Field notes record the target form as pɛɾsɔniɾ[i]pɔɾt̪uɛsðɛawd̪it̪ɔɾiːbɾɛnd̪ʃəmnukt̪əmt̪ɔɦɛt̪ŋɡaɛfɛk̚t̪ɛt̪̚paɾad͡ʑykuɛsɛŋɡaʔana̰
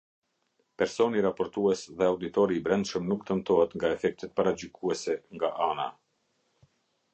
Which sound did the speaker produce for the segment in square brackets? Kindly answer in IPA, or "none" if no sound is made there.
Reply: a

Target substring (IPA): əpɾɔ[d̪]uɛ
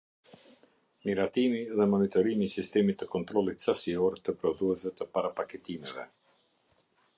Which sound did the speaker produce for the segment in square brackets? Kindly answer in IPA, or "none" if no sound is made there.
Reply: d̪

